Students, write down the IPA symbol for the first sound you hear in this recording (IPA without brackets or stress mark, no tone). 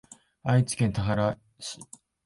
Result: a